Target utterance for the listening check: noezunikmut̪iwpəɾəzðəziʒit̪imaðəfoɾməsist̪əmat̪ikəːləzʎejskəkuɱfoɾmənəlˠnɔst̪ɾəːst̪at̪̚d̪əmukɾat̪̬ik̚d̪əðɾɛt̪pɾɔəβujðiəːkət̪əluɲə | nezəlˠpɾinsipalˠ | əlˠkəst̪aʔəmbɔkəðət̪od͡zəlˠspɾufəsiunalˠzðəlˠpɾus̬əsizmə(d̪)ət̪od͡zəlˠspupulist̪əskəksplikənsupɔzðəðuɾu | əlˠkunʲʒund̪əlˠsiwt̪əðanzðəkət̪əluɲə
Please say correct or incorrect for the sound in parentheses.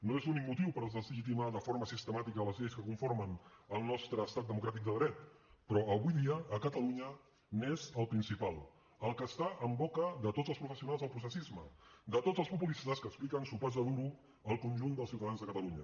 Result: correct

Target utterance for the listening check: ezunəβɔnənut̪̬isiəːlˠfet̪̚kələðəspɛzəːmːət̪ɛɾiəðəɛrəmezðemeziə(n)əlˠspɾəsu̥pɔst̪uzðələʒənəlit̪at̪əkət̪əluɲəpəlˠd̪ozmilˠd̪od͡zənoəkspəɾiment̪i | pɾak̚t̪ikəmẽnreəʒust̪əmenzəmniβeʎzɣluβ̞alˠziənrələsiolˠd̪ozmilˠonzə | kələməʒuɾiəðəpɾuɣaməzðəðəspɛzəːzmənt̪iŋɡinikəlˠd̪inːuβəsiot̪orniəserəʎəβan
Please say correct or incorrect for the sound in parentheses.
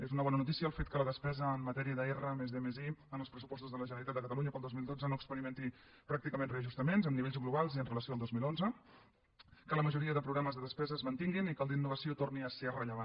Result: correct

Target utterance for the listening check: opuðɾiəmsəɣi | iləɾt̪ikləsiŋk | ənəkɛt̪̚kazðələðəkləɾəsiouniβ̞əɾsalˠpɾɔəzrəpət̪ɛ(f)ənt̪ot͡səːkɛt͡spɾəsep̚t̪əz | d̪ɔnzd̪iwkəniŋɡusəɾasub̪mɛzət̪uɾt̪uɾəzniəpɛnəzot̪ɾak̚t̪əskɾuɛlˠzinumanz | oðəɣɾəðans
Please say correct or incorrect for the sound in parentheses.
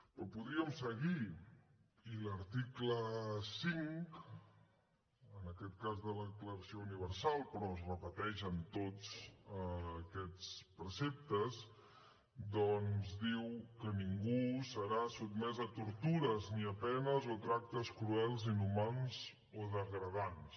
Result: incorrect: ʃ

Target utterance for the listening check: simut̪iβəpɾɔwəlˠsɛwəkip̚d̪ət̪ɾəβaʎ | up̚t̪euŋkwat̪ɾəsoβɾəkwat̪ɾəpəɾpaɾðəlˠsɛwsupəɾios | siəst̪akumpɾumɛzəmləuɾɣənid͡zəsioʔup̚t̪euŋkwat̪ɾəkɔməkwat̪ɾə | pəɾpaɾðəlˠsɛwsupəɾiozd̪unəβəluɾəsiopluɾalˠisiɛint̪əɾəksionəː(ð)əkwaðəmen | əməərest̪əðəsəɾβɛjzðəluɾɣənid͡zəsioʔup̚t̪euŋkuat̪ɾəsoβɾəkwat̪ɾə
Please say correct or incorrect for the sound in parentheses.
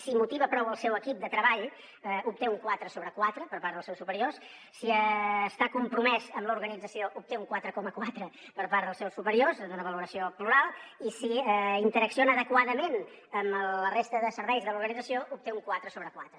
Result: correct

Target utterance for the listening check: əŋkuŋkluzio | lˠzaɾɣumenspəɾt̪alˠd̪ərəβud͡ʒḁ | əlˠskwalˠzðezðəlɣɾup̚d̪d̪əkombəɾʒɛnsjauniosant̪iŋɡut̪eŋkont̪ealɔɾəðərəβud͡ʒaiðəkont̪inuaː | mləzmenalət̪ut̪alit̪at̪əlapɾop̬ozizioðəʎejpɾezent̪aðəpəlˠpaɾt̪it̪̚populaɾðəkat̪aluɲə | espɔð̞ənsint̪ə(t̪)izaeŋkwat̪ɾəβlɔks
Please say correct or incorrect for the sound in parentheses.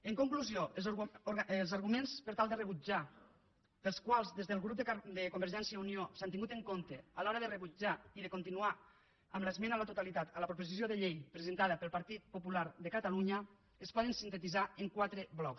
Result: correct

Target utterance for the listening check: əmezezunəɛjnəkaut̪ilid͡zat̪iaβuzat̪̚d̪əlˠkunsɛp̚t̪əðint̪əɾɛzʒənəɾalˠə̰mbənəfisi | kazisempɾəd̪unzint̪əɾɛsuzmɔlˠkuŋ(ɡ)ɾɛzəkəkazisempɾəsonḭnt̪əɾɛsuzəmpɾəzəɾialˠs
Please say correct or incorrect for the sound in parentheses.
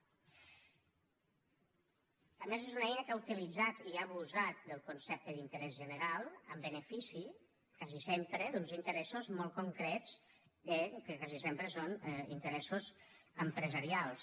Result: incorrect: k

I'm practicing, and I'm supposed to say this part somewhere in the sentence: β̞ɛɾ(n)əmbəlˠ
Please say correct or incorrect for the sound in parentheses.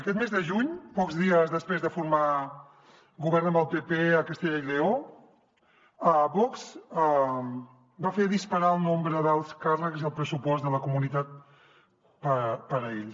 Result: correct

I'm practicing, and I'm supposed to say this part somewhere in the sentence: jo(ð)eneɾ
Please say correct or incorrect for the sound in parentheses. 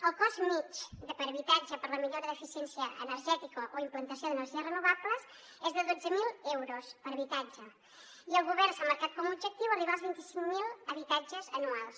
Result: correct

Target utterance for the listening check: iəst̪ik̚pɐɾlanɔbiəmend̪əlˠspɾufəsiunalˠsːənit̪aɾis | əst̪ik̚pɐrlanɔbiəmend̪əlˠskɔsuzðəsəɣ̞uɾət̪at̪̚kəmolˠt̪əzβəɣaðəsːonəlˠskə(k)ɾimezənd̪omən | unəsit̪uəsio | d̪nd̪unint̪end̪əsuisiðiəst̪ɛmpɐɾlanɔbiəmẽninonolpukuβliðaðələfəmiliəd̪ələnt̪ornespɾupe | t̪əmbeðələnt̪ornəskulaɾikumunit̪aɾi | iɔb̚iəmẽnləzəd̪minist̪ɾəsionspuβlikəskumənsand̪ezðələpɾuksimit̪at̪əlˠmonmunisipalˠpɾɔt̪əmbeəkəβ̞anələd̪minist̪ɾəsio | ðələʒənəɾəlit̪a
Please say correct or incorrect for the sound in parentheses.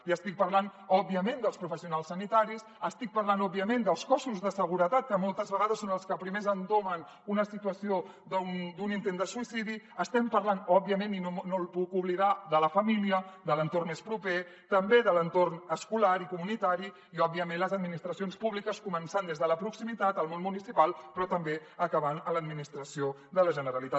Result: incorrect: p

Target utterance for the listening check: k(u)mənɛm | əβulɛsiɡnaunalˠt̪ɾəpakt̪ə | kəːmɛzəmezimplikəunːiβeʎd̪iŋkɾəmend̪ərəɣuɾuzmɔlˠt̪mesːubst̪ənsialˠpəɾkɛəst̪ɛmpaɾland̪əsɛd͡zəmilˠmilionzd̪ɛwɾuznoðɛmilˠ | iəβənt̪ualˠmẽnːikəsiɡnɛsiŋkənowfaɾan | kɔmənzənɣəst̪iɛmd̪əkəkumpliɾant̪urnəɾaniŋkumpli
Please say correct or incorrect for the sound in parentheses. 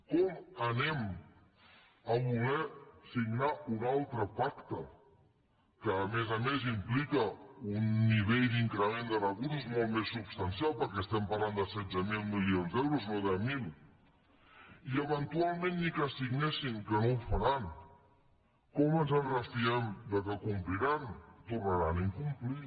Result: incorrect: ɔ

